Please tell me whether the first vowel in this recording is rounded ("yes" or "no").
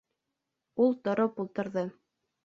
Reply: yes